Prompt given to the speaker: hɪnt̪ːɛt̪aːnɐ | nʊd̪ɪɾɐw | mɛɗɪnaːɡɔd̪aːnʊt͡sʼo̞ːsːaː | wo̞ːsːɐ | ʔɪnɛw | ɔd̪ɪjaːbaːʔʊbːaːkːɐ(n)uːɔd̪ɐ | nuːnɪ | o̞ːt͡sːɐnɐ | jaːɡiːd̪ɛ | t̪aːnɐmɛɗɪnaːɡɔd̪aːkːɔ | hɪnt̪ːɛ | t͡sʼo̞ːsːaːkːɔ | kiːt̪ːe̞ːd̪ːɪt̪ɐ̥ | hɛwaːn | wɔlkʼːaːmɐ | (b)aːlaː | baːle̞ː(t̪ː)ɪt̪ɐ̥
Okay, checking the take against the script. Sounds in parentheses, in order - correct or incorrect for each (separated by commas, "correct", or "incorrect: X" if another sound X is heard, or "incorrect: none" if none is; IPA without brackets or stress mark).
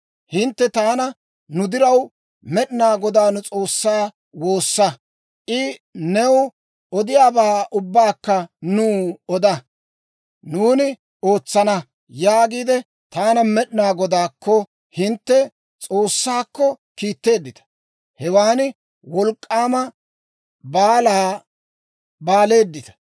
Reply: correct, correct, incorrect: d̪ː